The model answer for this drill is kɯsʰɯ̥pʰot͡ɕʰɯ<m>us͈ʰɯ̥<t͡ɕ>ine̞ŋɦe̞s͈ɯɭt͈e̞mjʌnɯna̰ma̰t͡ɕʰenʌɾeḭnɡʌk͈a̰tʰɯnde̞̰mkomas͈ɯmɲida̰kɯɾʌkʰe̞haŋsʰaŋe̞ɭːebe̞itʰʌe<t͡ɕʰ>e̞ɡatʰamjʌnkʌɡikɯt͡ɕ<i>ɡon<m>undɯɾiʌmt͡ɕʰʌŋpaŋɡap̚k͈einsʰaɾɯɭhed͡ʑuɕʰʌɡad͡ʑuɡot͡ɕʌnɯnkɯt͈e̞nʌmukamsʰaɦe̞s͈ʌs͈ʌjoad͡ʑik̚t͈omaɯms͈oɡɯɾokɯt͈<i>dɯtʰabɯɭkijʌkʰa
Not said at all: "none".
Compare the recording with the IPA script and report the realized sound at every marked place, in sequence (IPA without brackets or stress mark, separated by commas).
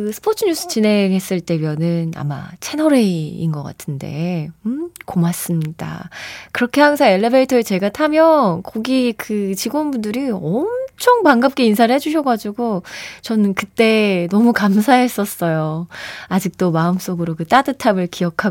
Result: ɲ, t͡ɕ, t͡ɕ, i, b, a